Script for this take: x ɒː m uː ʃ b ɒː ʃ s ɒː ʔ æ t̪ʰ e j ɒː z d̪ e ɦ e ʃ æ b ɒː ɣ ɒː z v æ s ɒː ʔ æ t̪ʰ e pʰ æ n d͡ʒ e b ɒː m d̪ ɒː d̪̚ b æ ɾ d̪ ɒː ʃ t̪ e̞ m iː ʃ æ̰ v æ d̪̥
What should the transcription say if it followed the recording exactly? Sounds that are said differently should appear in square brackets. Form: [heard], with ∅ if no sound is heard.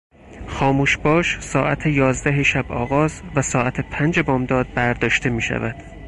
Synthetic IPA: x ɒː m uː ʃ b ɒː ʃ s ɒː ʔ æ t̪ʰ e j ɒː z d̪ [æ] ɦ e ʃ æ b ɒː ɣ ɒː z v æ s ɒː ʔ æ t̪ʰ e pʰ æ n d͡ʒ e b ɒː m d̪ ɒː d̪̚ b æ ɾ d̪ ɒː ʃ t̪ e̞ m iː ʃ æ̰ v æ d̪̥